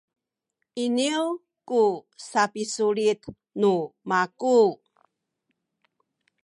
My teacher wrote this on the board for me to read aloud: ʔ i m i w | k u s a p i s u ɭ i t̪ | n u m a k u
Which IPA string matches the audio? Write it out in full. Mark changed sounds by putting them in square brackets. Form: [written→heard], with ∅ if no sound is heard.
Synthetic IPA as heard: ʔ i [m→n] i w | k u s a p i s u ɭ i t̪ | n u m a k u